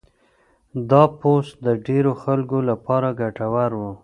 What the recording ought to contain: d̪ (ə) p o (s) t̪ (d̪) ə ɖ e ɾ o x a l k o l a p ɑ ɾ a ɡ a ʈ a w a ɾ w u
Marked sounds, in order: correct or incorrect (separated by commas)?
incorrect, correct, correct